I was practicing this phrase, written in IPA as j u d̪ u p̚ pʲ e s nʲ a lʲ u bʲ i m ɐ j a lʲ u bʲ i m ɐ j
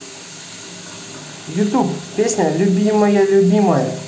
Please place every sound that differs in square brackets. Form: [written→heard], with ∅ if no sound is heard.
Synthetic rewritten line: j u [d̪→t̪] u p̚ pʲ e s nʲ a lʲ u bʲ i m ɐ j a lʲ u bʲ i m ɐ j